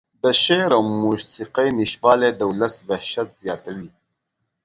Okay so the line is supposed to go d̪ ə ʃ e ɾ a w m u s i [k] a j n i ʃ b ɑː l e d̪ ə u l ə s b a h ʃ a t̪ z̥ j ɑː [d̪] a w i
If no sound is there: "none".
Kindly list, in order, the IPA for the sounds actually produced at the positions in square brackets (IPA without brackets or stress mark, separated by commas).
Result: q, t̪